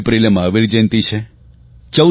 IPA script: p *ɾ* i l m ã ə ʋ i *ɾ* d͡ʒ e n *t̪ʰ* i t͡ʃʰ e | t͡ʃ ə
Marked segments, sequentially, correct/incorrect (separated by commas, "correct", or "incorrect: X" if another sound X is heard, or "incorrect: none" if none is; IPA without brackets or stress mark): correct, correct, incorrect: t̪